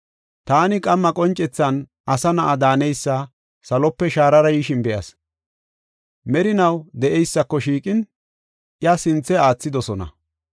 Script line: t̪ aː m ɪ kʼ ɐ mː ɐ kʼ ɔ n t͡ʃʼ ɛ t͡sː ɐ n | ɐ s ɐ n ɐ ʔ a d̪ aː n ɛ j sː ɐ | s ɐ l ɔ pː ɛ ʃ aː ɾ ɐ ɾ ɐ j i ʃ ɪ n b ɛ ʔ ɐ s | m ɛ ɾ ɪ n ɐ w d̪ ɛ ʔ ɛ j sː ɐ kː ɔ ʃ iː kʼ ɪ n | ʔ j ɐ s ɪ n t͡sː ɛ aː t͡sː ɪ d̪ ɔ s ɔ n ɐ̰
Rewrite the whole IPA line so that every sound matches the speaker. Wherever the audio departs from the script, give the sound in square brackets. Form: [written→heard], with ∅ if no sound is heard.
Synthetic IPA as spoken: t̪ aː [m→n] ɪ kʼ ɐ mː ɐ kʼ ɔ n t͡ʃʼ ɛ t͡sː ɐ n | ɐ s ɐ n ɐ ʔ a d̪ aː n ɛ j sː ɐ | s ɐ l ɔ pː ɛ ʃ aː ɾ ɐ ɾ ɐ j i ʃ ɪ n b ɛ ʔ ɐ s | m ɛ ɾ ɪ n ɐ w d̪ ɛ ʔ ɛ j sː ɐ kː ɔ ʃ iː kʼ ɪ n | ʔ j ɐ s ɪ n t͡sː ɛ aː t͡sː ɪ d̪ ɔ s ɔ n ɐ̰